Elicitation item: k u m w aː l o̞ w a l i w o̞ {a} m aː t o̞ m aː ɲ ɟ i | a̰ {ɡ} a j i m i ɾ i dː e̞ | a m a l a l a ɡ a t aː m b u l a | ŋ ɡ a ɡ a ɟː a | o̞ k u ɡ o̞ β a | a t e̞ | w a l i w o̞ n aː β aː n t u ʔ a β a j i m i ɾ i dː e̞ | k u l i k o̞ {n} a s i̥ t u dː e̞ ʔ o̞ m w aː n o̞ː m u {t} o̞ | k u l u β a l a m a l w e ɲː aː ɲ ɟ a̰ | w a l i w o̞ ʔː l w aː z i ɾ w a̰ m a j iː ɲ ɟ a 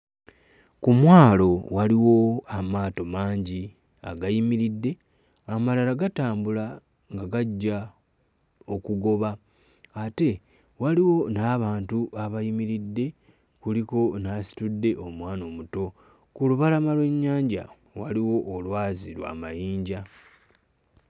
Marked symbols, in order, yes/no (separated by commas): yes, yes, yes, yes